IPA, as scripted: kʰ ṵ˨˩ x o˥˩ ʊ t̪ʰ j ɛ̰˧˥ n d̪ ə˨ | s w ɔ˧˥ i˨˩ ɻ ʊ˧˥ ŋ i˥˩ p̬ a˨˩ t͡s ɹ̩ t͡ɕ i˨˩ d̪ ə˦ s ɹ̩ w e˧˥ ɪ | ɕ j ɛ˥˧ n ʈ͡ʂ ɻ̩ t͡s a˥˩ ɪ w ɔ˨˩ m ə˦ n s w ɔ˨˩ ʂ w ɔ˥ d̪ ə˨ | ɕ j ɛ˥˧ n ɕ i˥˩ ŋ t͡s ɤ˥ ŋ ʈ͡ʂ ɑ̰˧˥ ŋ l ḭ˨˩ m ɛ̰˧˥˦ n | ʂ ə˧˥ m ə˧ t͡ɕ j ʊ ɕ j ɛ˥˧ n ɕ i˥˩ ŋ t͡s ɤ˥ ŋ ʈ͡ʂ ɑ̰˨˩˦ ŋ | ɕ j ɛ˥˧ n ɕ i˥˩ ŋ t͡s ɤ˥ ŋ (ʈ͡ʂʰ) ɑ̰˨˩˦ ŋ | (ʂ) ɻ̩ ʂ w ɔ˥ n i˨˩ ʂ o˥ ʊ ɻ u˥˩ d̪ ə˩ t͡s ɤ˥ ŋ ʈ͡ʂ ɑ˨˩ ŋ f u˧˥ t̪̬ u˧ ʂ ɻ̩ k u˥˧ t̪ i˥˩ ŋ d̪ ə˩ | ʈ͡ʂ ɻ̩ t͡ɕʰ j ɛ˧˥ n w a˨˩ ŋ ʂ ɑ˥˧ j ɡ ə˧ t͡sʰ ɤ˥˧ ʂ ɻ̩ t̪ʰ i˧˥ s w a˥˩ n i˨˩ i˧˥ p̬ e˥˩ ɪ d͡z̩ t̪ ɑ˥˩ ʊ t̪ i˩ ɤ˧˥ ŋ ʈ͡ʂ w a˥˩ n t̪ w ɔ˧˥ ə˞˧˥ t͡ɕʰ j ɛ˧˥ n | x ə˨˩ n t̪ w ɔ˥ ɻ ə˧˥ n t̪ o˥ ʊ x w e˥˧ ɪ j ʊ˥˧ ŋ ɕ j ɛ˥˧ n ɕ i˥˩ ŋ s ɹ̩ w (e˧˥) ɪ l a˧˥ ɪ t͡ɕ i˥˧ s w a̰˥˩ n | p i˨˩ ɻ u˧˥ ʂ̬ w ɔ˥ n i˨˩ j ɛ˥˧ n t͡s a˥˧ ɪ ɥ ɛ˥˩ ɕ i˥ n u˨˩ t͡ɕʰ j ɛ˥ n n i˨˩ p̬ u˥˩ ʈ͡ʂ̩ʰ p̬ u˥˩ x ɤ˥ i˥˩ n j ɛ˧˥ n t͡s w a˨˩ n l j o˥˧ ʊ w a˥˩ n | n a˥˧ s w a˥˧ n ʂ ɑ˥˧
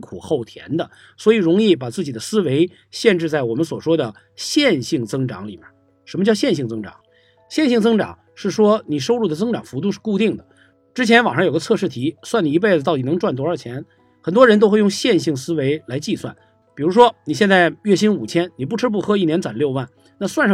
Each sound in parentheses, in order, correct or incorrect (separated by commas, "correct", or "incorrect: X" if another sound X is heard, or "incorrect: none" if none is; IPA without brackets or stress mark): incorrect: ʈ͡ʂ, correct, correct